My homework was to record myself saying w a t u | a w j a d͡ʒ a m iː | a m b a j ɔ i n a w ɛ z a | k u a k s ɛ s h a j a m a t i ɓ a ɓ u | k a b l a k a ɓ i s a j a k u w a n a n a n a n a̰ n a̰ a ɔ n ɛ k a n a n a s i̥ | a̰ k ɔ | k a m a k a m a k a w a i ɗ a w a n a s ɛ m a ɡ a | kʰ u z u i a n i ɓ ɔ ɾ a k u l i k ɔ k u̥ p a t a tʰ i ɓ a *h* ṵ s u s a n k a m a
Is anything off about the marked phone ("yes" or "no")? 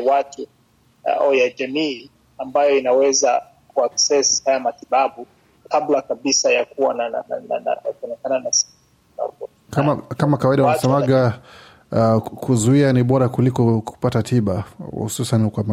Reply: no